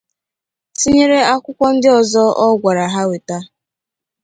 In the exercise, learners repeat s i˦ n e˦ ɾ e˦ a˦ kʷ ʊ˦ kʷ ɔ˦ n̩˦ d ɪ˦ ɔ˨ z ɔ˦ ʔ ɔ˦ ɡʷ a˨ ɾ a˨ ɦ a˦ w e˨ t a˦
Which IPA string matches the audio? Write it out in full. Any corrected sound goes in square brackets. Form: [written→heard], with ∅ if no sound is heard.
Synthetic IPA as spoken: s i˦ [n→ɲ] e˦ ɾ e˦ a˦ kʷ ʊ˦ kʷ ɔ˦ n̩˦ d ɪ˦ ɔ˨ z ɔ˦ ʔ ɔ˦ ɡʷ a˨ ɾ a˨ ɦ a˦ w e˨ t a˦

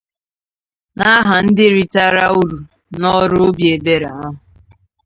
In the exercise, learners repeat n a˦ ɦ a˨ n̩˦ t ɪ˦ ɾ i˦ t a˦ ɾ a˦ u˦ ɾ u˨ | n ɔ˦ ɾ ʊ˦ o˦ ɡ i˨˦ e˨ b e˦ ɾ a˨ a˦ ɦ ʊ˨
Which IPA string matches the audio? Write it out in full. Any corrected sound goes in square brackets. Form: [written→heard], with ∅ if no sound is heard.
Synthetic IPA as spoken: n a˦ ɦ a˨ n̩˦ [t→d] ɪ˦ ɾ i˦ t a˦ ɾ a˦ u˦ ɾ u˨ | n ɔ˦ ɾ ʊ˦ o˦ [ɡ→b] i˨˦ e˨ b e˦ ɾ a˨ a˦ ɦ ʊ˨

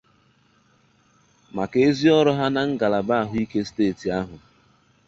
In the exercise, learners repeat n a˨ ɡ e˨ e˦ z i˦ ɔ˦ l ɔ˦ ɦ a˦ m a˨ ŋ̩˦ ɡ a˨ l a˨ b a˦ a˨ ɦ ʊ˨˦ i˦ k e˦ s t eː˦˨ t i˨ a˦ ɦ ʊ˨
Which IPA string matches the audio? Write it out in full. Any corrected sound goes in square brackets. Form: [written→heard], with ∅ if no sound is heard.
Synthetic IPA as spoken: [n→m] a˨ [ɡ→k] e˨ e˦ z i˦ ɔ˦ [l→ɾ] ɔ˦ ɦ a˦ [m→n] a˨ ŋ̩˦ ɡ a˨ l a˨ b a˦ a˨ ɦ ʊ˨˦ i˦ k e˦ s t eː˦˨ t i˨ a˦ ɦ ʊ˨

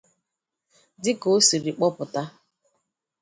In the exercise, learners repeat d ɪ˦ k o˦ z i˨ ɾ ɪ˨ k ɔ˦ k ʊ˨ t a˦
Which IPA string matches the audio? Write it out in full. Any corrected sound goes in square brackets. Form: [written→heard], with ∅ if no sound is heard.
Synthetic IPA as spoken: d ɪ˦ k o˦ [z→s] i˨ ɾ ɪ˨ [k→k͡p] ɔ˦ [k→p] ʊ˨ t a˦

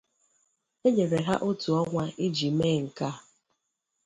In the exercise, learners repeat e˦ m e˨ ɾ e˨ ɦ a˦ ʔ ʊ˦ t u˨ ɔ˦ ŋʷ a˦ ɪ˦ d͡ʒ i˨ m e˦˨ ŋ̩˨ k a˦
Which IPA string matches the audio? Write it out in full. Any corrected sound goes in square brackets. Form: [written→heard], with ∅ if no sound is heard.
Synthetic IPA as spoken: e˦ [m→ɲ] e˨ ɾ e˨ ɦ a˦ ʔ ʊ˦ t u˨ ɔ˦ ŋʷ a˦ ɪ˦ d͡ʒ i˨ m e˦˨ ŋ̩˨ k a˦

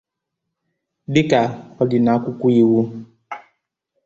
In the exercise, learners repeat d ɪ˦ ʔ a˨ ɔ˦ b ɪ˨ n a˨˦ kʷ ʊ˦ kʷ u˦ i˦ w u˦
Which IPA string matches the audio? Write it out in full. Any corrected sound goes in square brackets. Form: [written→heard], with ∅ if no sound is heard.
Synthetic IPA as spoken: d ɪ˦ [ʔ→k] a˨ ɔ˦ [b→d] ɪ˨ n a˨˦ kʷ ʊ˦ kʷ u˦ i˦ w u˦

